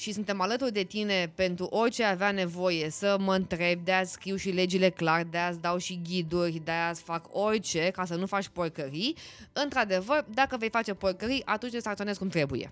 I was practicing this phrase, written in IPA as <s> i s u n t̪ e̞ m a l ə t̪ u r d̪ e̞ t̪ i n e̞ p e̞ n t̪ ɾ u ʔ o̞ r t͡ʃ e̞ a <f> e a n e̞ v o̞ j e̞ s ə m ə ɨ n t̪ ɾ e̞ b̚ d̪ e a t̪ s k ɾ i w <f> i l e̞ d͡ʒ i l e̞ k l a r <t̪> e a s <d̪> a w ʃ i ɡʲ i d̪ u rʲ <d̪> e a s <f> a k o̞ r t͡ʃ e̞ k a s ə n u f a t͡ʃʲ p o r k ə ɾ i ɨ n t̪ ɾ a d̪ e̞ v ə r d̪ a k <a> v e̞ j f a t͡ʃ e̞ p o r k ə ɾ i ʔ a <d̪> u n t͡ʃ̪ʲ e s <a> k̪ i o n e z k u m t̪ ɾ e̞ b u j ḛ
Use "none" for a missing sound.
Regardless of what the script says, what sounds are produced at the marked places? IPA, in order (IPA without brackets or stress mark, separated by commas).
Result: ʃ, v, ʃ, d̪, d̪, d̪, f, ə, t̪, a